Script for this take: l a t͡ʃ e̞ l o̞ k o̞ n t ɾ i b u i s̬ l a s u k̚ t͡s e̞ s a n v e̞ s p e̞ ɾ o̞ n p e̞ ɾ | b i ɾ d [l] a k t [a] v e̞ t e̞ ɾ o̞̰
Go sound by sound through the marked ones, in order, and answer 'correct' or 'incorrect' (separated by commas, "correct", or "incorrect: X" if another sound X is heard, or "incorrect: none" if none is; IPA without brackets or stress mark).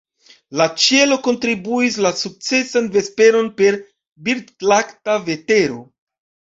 correct, correct